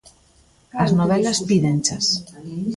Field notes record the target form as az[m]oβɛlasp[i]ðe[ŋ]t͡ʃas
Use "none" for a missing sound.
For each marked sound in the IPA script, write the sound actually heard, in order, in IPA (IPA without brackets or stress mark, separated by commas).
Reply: n, i, n